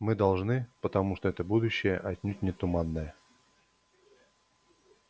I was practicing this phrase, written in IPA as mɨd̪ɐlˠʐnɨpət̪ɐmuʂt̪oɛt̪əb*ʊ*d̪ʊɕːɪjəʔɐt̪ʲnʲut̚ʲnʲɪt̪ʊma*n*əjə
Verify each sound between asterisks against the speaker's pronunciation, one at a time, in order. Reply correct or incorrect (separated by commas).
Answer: incorrect, incorrect